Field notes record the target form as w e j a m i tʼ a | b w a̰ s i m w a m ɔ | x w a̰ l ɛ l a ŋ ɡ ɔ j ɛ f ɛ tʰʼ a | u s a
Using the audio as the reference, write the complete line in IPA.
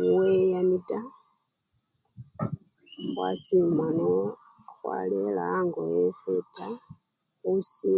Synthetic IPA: w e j a m i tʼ a | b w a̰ s i m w a n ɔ | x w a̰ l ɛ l a ŋ ɡ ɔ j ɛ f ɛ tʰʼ a | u s i